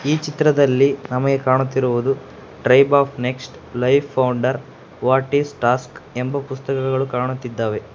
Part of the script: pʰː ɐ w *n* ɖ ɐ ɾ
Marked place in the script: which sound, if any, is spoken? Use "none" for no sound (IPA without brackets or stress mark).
ɳ